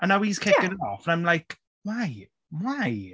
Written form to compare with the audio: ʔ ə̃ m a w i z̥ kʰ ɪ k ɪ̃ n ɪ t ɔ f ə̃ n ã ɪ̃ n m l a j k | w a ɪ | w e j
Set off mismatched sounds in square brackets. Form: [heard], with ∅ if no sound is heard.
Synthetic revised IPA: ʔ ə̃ [n] a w i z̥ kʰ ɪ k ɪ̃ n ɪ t ɔ f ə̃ n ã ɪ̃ [∅] m l a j k | w a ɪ | w [a] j